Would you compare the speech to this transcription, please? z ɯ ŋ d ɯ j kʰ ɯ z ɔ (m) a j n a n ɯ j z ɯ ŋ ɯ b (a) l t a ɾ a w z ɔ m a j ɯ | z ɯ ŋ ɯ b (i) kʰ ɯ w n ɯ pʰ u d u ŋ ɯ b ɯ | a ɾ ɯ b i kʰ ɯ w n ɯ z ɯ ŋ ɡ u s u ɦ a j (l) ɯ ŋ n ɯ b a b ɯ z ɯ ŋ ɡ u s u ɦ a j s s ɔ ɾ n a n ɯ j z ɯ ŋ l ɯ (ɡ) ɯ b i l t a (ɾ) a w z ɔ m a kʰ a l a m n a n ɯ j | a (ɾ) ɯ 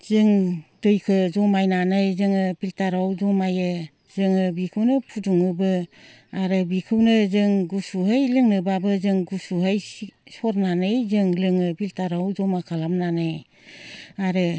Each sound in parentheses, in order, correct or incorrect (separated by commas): correct, incorrect, correct, correct, incorrect, correct, correct